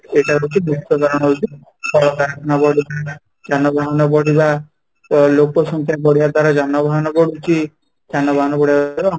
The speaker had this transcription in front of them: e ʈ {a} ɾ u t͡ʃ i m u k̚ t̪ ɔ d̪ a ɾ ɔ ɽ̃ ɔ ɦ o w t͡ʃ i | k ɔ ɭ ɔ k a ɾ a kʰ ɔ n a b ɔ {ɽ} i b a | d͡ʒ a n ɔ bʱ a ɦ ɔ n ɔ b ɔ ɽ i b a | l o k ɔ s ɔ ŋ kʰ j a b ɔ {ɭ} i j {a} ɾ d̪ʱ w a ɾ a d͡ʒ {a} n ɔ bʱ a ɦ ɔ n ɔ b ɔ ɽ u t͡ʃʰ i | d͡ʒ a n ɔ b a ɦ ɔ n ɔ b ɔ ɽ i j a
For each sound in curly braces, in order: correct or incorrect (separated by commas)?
correct, correct, incorrect, correct, correct